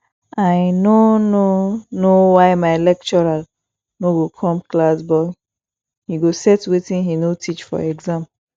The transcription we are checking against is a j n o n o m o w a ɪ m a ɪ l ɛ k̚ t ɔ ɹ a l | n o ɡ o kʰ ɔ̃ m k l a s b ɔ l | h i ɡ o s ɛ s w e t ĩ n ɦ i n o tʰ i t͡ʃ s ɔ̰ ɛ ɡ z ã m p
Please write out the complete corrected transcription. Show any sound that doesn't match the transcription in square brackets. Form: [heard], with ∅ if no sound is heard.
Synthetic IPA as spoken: a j n o n o [n] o w a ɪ m a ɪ l ɛ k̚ [t͡ʃ] ɔ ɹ a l | n o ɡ o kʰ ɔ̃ m k l a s b ɔ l | h i ɡ o s ɛ [t] w e t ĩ n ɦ i n o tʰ i t͡ʃ [f] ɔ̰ ɛ ɡ z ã m p